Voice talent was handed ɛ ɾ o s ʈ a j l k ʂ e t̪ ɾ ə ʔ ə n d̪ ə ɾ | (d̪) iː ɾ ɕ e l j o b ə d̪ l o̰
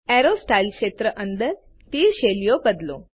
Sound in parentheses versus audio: incorrect: t̪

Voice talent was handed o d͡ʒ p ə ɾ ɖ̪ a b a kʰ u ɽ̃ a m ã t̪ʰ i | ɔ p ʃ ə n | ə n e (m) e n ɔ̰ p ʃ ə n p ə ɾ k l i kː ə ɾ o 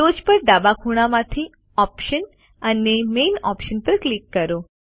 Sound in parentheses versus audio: correct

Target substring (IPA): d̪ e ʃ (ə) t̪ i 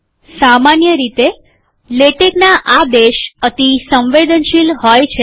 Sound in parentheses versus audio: correct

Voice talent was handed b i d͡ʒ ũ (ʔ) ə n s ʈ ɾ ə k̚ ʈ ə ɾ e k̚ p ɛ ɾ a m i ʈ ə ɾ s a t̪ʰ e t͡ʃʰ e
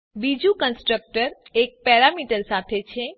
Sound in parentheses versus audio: incorrect: k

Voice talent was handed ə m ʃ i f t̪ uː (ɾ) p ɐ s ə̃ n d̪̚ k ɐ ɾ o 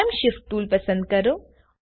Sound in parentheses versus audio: incorrect: l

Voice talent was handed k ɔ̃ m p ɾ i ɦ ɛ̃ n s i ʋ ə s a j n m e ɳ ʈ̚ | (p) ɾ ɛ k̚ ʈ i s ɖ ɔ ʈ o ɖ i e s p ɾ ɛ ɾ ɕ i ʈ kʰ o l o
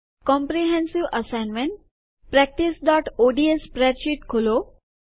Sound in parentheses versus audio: correct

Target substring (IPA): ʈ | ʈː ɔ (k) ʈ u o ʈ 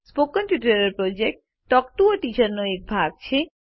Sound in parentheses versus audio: correct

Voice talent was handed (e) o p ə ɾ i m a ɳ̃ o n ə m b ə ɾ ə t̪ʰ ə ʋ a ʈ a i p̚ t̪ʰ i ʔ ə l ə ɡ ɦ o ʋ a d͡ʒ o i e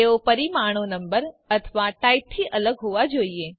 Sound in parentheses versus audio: correct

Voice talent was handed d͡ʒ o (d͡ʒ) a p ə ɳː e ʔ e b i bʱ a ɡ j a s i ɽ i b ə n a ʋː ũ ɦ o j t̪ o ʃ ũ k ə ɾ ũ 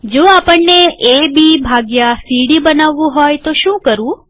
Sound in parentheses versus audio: incorrect: none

